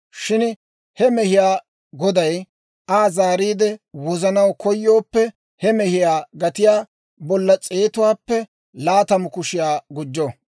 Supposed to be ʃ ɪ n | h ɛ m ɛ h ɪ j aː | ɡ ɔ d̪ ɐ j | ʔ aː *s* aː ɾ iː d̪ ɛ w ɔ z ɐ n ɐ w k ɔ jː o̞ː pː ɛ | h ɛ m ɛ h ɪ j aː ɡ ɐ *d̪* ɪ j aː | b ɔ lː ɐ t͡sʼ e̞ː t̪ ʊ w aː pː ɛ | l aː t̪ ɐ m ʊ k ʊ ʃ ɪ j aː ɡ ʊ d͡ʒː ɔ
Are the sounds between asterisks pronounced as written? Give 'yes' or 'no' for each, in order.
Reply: no, no

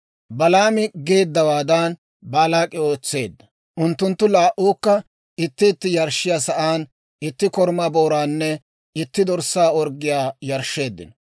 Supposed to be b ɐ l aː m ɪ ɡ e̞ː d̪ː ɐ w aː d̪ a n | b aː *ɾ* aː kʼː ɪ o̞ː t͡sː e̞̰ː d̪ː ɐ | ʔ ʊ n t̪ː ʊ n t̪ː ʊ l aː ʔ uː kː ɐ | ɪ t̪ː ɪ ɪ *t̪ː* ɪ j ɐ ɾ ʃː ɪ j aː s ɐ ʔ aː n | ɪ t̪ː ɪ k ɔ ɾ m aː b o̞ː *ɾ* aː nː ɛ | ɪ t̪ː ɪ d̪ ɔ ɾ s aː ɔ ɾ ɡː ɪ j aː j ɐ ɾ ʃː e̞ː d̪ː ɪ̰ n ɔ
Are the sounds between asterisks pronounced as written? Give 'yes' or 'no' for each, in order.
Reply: no, yes, yes

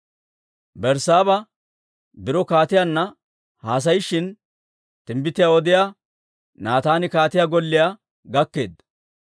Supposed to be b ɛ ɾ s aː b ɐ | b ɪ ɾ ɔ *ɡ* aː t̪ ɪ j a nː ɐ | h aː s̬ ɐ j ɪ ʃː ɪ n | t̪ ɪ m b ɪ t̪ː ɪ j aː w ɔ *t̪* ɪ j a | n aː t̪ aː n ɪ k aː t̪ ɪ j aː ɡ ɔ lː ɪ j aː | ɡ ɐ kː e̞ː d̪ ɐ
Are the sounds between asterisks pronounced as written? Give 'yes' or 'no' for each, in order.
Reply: no, no

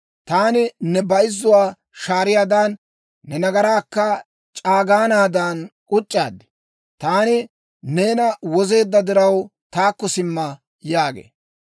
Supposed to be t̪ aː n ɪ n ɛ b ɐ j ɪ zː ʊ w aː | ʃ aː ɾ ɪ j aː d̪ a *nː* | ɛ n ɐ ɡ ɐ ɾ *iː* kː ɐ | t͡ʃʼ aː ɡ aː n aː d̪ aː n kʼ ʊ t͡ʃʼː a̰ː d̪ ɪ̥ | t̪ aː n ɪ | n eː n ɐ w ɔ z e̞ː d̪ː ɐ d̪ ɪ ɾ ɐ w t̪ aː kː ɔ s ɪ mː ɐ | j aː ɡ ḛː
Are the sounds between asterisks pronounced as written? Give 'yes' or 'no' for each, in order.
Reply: yes, no

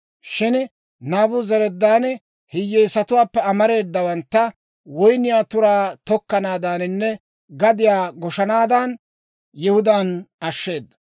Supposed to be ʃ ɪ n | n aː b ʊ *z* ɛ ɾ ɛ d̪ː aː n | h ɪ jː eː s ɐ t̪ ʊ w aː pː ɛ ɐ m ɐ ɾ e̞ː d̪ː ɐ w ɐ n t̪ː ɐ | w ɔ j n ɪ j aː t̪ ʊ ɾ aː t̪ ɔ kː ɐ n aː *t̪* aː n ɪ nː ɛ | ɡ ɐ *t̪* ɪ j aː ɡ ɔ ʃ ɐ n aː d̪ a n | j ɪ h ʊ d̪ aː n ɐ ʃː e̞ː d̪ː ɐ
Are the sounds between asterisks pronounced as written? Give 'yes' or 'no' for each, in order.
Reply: yes, no, no

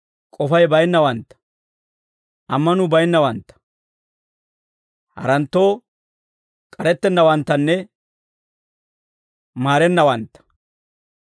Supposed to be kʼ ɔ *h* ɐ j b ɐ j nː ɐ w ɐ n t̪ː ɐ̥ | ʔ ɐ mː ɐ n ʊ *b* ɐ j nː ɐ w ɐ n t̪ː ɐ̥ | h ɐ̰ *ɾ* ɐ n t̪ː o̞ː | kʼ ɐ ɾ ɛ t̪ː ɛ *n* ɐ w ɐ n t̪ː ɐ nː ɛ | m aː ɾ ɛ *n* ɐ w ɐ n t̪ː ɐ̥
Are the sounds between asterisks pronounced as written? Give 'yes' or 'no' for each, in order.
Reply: no, yes, yes, no, no

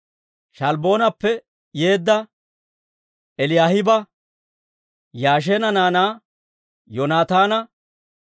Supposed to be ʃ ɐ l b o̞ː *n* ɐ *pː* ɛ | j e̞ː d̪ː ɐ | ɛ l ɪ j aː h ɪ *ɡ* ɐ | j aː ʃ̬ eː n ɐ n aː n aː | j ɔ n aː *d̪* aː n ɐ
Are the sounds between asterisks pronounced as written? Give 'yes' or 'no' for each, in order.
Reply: yes, yes, no, no

